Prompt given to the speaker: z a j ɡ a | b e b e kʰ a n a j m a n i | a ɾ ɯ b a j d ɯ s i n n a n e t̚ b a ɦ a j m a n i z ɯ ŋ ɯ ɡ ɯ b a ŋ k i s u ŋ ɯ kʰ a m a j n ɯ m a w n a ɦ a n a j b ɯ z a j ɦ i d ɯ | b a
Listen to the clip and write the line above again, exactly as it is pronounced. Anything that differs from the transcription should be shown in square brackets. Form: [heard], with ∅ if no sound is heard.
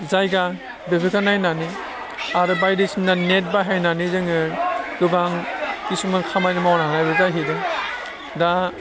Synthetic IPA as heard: z a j ɡ a | b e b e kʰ a n a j [n] a n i | a ɾ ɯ b a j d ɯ s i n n a n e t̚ b a ɦ a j [n] a n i z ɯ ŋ ɯ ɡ ɯ b a ŋ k i s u [m] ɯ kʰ a m a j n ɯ m a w n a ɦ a n a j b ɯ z a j ɦ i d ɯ | [d] a